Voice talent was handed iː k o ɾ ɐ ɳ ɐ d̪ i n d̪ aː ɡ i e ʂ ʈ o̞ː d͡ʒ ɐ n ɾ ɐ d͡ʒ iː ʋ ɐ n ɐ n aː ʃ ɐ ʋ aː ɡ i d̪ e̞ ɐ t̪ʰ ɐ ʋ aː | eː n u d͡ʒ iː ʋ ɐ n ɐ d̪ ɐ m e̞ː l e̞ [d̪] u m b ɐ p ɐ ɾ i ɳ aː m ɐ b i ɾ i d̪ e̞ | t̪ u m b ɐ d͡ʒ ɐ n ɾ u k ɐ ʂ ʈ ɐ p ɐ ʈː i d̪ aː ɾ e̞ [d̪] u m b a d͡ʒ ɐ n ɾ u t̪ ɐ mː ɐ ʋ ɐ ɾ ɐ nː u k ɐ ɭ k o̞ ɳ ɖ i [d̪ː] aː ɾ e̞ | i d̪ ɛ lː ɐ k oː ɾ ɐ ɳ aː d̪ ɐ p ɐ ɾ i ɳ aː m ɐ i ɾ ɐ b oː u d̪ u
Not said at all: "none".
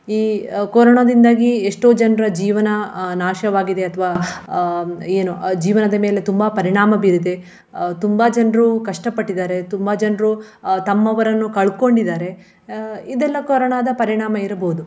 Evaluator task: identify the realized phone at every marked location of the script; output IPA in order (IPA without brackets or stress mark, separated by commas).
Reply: t̪, t̪, d̪